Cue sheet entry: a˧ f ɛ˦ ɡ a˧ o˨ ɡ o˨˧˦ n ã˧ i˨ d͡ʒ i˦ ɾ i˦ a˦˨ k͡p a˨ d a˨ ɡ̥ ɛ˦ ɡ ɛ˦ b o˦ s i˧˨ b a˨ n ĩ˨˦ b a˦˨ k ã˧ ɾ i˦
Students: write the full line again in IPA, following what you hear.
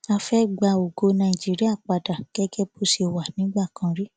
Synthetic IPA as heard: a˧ f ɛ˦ ɡ͡b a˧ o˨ ɡ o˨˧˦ n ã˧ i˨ d͡ʒ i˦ ɾ i˦ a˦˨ k͡p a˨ d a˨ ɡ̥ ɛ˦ ɡ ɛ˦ b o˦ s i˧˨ w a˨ n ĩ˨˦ ɡ͡b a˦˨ k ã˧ ɾ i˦